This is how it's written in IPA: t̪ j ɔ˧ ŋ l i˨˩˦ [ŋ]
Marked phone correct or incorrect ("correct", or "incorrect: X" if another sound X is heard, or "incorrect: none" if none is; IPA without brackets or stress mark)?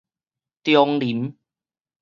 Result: incorrect: m